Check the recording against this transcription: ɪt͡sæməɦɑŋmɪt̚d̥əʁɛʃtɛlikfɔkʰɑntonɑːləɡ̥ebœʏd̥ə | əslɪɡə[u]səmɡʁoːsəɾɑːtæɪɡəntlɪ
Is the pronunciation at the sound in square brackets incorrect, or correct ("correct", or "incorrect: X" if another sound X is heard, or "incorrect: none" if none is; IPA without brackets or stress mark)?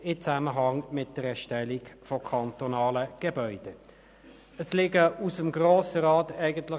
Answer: correct